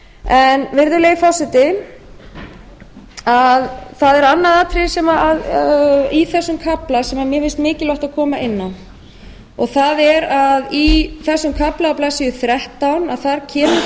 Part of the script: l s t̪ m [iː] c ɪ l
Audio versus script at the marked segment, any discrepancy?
yes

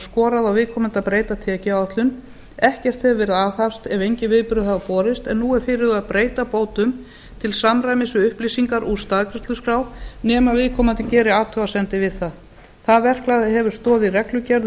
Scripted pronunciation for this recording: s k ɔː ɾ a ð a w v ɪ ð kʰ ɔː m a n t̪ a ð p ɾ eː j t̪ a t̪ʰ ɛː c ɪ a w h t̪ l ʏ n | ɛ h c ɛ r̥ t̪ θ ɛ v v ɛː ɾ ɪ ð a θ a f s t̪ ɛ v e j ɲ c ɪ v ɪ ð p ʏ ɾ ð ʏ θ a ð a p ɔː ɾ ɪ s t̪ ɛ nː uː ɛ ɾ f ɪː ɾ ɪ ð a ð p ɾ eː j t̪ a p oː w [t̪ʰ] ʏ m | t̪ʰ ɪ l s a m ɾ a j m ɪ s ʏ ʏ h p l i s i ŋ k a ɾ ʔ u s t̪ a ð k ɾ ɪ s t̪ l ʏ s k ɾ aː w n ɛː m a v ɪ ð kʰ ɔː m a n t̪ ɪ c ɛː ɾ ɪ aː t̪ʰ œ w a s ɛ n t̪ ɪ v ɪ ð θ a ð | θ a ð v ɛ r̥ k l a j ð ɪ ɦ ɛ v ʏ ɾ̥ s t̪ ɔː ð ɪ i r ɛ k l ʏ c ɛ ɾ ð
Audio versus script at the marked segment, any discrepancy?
yes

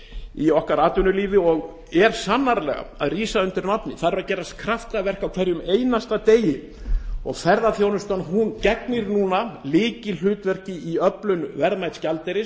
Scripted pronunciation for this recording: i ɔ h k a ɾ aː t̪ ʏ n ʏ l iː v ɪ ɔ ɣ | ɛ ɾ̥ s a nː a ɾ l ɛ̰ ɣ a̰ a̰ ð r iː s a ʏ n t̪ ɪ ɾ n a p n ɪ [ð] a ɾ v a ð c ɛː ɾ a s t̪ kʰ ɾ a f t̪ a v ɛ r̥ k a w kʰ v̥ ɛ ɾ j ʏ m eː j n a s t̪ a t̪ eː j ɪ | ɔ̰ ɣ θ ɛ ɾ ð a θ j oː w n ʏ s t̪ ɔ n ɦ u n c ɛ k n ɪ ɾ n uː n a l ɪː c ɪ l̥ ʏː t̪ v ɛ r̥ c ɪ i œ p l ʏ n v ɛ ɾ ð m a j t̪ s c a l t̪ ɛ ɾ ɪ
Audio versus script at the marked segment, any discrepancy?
yes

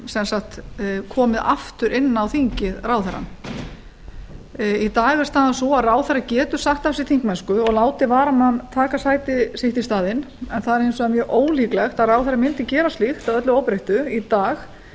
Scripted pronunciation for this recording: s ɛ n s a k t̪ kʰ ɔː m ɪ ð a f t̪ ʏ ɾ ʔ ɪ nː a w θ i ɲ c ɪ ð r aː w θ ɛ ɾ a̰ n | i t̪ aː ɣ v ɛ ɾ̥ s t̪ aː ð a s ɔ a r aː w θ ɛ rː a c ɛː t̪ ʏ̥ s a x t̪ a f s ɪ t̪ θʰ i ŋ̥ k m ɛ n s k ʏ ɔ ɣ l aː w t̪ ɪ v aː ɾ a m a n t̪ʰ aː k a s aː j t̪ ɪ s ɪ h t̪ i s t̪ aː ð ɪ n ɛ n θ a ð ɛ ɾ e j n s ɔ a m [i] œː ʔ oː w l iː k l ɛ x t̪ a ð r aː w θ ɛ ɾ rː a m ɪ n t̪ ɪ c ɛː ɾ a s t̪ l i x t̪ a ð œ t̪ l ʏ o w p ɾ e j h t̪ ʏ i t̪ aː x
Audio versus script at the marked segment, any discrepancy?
yes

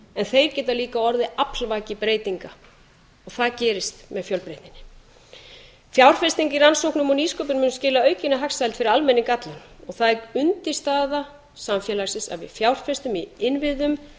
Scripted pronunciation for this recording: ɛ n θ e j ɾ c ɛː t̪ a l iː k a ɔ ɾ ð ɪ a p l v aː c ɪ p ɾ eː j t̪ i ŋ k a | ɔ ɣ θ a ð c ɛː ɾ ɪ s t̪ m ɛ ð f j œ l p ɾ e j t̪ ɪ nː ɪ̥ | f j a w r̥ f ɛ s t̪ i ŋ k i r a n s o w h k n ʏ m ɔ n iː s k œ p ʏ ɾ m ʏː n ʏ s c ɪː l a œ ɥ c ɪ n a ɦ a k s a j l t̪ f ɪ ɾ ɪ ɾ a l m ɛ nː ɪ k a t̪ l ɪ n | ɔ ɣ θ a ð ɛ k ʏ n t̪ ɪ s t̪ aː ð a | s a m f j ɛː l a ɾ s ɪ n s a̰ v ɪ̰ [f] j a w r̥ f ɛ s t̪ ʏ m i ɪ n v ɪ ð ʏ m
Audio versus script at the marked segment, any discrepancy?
no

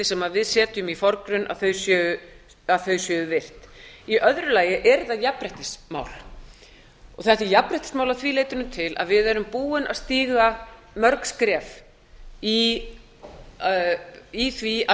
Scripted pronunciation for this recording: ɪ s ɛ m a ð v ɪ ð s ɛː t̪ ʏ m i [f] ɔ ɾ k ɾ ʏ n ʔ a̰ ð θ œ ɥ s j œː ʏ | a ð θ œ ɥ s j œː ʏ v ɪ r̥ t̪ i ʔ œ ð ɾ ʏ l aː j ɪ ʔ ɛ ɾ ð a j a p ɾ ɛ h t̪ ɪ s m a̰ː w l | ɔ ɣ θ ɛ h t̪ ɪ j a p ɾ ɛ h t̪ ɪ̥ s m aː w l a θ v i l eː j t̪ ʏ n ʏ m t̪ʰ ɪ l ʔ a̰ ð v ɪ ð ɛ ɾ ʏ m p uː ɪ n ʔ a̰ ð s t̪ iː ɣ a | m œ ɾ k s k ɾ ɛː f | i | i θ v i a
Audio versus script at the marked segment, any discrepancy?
no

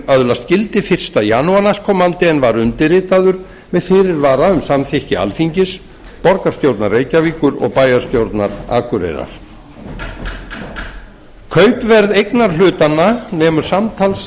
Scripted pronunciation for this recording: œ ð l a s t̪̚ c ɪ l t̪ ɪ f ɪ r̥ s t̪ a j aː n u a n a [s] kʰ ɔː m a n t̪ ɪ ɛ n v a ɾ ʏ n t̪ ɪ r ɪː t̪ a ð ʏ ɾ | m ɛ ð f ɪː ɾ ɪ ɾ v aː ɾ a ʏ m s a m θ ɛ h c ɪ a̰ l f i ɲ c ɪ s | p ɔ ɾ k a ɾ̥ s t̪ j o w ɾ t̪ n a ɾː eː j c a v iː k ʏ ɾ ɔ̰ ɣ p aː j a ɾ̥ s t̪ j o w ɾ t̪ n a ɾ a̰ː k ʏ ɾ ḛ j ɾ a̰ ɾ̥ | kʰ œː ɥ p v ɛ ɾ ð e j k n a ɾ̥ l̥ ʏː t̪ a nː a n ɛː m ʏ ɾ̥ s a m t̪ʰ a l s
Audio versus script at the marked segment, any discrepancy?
no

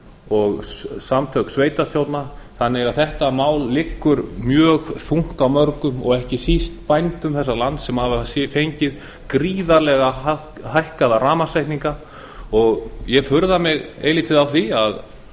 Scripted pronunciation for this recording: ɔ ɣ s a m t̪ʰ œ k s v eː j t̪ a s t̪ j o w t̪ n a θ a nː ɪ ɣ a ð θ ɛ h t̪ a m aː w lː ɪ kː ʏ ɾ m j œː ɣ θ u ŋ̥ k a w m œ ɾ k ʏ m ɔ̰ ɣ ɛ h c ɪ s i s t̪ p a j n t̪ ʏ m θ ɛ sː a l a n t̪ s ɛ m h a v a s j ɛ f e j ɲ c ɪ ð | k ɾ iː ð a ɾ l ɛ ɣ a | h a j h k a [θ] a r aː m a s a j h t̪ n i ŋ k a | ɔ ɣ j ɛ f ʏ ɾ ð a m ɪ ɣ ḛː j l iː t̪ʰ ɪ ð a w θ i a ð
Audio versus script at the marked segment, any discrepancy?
yes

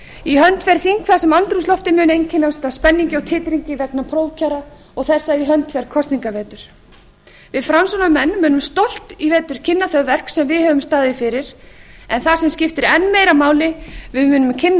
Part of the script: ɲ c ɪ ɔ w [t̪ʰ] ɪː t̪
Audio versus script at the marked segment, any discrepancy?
no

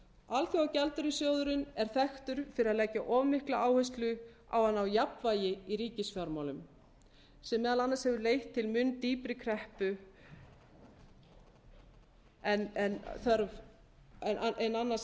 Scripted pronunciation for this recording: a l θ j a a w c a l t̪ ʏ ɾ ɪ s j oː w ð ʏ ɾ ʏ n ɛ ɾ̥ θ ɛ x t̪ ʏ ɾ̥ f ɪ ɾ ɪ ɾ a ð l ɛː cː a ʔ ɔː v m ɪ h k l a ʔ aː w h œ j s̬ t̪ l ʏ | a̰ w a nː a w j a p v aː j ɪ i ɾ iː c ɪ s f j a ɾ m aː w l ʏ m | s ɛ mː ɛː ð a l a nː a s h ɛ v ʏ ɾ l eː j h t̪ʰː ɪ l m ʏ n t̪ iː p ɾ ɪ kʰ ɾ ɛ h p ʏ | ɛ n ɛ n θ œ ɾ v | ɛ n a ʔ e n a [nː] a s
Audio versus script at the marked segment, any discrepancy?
no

